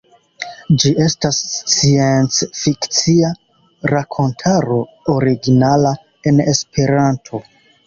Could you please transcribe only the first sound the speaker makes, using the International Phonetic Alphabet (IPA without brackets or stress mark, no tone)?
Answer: d͡ʒ